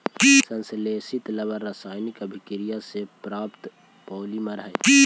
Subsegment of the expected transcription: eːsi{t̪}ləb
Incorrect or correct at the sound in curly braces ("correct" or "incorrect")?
correct